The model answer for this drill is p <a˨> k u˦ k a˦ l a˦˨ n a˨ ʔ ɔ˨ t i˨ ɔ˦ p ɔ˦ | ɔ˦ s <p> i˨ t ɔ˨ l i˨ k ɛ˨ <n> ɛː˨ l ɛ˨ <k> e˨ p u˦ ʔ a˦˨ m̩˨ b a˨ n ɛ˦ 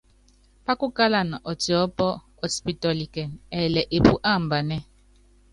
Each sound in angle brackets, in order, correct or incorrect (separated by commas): incorrect, correct, correct, incorrect